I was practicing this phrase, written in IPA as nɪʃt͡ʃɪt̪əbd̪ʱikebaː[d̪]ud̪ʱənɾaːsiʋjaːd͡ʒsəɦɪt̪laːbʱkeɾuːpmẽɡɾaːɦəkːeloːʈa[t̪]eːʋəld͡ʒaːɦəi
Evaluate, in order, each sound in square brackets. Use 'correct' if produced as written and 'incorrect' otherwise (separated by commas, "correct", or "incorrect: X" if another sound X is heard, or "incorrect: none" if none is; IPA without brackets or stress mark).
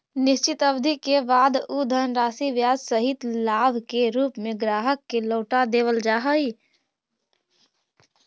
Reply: correct, incorrect: d̪